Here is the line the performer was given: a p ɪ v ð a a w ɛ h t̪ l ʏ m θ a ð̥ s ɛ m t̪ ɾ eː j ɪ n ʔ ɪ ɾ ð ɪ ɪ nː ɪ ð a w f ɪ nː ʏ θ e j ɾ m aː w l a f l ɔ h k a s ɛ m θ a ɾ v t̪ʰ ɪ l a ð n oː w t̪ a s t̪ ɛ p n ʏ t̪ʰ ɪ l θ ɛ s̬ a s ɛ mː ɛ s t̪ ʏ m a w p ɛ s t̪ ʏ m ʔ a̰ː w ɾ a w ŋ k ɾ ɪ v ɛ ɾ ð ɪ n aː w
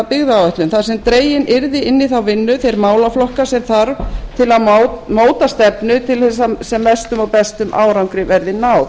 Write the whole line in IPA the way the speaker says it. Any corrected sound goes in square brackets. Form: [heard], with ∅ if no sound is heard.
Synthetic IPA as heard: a p ɪ [ɣ] ð a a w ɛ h t̪ l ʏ m θ a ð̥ s ɛ m t̪ ɾ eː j ɪ n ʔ ɪ ɾ ð ɪ ɪ nː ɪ [θ] a w [v] ɪ nː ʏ θ e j ɾ m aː w l a f l ɔ h k a s ɛ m θ a ɾ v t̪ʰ ɪ l a ð [m] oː w t̪ a s t̪ ɛ p n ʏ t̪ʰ ɪ l θ ɛ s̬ a s ɛ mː ɛ s t̪ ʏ m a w p ɛ s t̪ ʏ m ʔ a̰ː w ɾ a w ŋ k ɾ ɪ v ɛ ɾ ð ɪ n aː w